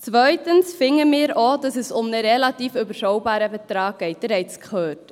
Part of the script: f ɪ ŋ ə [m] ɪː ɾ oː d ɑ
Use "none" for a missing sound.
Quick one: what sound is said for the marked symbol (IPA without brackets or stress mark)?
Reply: m